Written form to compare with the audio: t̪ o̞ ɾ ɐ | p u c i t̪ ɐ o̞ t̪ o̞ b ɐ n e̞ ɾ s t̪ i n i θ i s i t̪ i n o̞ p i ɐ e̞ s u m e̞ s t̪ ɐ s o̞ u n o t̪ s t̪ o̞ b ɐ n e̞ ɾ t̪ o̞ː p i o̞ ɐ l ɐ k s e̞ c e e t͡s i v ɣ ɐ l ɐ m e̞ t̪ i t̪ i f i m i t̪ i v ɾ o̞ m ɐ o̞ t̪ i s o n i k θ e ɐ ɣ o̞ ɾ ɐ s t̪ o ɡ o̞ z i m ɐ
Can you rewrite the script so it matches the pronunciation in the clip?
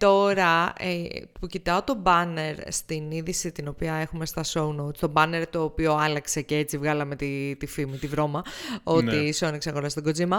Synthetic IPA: t̪ o̞ ɾ ɐ | p u c i t̪ ɐ o̞ t̪ o̞ b ɐ n e̞ ɾ s t̪ i n i ð i s i t̪ i n o̞ p i ɐ e̞ x u m e̞ s t̪ ɐ s o̞ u n o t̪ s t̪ o̞ b ɐ n e̞ ɾ t̪ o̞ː p i o̞ ɐ l ɐ k s e̞ c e e t͡s i v ɣ ɐ l ɐ m e̞ t̪ i t̪ i f i m i t̪ i v ɾ o̞ m ɐ o̞ t̪ i s o n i k s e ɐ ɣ o̞ ɾ ɐ s t̪ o ɡ o̞ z i m ɐ